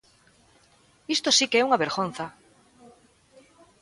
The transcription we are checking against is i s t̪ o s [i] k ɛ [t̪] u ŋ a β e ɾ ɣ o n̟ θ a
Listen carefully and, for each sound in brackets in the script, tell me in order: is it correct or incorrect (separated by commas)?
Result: correct, incorrect